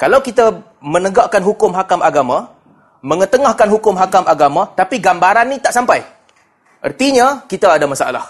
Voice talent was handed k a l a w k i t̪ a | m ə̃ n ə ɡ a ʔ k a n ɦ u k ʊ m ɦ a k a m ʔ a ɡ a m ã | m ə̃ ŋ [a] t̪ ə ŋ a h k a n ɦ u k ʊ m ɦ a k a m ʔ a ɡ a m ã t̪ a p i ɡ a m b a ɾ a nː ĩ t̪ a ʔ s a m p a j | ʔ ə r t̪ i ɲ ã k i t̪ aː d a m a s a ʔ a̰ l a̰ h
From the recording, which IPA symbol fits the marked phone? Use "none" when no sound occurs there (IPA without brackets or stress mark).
ə